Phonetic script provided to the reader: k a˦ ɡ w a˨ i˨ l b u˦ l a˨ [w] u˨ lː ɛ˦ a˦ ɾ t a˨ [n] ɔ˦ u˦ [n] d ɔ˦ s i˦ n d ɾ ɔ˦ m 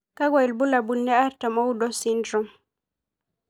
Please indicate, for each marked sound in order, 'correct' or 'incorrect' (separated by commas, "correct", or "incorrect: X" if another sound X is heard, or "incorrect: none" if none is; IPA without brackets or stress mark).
incorrect: b, incorrect: m, incorrect: none